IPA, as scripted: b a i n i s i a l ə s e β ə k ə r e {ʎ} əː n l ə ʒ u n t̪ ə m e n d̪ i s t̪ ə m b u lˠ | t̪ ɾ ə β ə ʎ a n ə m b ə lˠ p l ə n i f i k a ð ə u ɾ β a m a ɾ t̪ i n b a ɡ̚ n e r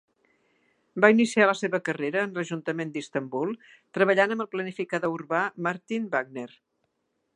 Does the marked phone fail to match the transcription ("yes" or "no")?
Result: yes